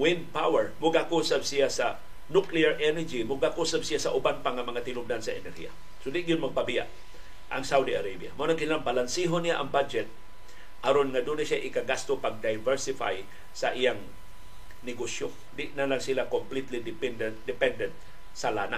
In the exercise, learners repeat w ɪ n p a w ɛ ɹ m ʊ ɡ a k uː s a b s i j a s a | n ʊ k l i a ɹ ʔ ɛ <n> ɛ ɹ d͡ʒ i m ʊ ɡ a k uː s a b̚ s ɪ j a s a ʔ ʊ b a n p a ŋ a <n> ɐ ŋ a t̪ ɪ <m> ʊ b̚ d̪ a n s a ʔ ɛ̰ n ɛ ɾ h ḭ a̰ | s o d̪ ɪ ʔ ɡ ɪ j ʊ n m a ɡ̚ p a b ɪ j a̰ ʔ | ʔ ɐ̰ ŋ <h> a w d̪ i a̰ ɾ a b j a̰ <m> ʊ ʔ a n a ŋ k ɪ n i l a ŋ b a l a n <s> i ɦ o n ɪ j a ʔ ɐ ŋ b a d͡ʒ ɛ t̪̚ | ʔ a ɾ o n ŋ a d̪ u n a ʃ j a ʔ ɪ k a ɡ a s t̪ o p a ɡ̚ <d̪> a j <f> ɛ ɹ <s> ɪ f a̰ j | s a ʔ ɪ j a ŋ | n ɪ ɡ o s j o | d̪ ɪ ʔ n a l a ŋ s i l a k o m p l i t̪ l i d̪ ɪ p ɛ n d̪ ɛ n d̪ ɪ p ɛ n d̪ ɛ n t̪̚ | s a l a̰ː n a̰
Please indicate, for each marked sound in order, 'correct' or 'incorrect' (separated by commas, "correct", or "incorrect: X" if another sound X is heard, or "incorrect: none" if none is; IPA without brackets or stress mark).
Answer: correct, incorrect: m, incorrect: n, incorrect: s, correct, correct, correct, incorrect: v, correct